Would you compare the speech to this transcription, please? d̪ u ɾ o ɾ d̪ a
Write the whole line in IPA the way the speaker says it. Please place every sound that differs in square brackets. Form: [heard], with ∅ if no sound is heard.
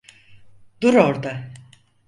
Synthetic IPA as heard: d̪ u ɾ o ɾ d̪ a